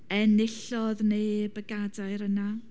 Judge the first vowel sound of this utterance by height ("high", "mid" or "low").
mid